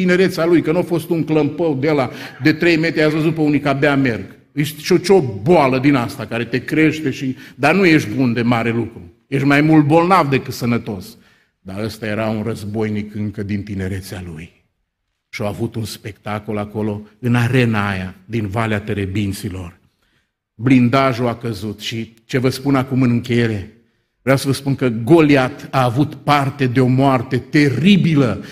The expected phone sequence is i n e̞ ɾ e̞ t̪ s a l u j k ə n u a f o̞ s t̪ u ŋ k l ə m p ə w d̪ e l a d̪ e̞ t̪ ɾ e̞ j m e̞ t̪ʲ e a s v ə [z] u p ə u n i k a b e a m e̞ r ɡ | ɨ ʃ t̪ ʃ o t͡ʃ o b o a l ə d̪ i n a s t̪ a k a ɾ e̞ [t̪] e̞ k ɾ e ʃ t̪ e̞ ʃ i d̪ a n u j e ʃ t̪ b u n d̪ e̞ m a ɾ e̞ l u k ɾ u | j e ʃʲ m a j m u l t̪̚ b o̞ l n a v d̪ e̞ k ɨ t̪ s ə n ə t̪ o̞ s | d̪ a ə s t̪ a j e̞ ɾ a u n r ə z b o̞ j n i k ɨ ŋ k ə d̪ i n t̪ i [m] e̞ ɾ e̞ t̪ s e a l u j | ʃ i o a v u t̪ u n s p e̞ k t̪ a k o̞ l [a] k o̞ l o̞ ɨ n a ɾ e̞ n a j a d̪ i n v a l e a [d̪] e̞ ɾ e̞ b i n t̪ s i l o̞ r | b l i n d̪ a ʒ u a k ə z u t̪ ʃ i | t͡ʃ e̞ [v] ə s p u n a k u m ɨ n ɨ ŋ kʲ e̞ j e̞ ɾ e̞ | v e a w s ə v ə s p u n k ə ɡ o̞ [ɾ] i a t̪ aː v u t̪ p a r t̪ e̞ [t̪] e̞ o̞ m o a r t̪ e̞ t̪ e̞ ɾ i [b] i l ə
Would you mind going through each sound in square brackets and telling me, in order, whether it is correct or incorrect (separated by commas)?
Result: correct, correct, incorrect, correct, incorrect, correct, incorrect, incorrect, correct